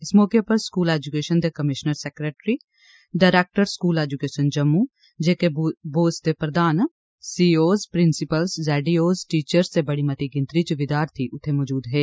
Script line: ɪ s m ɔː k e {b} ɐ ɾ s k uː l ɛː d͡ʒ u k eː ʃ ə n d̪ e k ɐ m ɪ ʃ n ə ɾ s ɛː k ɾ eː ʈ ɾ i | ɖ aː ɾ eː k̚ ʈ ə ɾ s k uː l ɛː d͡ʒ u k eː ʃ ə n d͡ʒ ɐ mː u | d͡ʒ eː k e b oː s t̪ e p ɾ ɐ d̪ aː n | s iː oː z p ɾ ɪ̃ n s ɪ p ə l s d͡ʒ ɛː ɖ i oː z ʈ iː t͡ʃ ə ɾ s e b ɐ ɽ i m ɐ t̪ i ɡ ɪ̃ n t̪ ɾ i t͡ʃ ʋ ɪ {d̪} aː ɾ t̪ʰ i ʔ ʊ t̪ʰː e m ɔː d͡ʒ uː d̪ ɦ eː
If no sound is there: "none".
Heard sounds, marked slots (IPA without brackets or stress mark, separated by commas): p, d̪